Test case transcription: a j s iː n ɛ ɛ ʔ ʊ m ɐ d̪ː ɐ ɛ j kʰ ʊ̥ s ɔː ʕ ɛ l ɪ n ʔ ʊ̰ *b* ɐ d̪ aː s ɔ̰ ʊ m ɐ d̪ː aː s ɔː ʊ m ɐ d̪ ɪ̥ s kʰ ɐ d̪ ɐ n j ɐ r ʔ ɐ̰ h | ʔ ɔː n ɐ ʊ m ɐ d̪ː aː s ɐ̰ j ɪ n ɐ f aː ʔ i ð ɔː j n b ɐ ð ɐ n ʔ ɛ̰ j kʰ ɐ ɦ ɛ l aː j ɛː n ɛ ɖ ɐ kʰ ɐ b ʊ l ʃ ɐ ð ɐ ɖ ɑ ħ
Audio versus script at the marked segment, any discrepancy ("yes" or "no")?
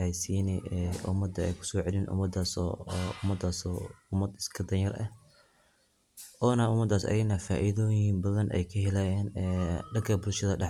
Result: yes